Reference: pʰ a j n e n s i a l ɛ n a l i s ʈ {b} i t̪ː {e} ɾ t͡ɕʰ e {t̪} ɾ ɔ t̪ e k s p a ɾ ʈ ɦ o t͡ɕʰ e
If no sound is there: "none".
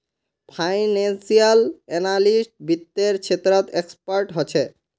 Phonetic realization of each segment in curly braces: b, e, t̪

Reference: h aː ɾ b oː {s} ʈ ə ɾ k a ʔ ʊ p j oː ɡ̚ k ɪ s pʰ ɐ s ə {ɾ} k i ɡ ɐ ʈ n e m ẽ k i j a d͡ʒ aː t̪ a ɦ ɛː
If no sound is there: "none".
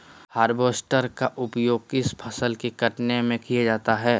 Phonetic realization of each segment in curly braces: s, l

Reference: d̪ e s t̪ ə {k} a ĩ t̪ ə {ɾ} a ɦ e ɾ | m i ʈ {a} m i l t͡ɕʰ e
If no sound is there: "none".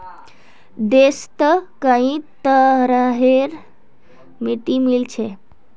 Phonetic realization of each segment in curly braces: k, ɾ, i

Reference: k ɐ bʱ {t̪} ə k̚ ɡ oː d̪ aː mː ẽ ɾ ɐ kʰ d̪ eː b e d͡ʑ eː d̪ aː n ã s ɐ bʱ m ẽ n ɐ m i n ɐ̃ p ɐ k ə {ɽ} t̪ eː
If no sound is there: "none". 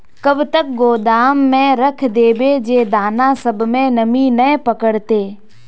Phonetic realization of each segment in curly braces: t̪, ɽ

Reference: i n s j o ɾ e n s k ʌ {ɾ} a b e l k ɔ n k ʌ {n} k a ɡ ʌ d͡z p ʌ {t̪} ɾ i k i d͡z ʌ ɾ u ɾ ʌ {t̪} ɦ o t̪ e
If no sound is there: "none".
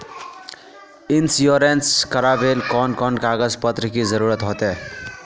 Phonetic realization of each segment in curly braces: ɾ, n, t̪, t̪

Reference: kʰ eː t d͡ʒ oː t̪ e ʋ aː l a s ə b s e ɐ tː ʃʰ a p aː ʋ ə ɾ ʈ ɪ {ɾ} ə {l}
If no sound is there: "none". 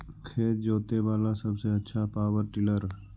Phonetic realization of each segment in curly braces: l, ɾ

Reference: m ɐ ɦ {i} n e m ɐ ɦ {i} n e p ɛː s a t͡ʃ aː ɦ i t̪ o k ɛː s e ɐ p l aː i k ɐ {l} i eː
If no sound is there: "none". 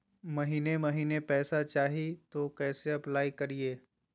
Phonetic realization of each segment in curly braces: iː, iː, ɾ

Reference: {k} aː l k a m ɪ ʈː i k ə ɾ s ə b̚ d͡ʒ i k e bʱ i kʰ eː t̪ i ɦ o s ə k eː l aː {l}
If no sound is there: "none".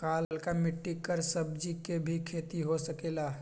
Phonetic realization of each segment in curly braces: k, none

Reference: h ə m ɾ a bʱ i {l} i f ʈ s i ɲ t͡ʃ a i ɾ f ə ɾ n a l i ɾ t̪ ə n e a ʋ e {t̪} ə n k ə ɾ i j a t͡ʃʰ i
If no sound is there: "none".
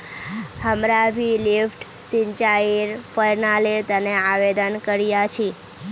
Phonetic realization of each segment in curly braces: l, d̪

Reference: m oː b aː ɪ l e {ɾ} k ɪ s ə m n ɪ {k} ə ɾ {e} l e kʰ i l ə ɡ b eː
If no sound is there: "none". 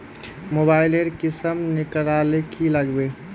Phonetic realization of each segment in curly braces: ɾ, k, a

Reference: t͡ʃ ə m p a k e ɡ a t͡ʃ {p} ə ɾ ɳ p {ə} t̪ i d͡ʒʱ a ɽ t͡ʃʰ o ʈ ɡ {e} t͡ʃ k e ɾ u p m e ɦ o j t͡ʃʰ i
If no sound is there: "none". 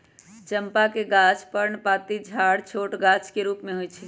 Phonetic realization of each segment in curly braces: p, a, a

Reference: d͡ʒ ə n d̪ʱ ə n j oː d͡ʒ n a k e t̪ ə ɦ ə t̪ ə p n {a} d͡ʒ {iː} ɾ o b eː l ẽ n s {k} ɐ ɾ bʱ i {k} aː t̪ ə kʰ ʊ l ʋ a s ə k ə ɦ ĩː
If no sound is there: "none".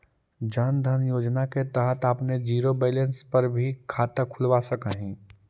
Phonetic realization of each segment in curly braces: e, iː, p, kʰ

